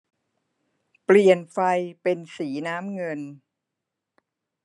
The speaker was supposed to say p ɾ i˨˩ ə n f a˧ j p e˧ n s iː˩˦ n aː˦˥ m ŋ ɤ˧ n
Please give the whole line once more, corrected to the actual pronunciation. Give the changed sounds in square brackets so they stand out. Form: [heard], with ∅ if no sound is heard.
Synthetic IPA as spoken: p [l] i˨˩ ə n f a˧ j p e˧ n s iː˩˦ n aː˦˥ m ŋ ɤ˧ n